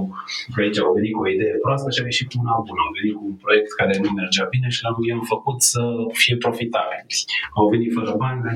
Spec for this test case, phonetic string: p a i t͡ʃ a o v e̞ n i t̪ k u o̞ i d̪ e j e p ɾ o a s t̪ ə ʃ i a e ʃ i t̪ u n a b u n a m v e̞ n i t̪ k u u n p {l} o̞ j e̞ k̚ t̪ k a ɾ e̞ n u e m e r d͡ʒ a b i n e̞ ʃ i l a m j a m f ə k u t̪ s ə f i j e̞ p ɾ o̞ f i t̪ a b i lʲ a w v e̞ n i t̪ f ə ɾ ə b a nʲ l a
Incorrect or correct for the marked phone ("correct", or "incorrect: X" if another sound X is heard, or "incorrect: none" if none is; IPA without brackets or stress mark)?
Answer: incorrect: ɾ